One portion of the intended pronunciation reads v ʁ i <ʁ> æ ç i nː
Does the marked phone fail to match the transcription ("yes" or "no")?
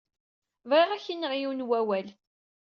no